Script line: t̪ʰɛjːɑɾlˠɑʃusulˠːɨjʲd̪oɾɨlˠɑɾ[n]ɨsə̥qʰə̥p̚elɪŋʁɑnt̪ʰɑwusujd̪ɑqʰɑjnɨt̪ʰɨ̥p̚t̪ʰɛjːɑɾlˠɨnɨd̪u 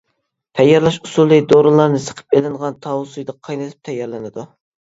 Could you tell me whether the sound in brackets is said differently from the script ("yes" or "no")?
no